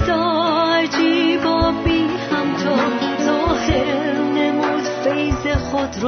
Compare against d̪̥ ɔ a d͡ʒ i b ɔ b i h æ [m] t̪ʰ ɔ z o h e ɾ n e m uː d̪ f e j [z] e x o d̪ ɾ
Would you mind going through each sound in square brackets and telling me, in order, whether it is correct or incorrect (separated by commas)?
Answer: correct, correct